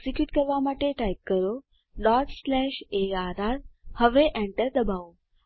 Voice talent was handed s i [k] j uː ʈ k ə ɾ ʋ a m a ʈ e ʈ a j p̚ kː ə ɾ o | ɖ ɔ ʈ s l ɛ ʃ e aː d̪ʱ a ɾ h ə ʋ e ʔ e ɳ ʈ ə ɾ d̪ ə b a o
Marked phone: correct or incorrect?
correct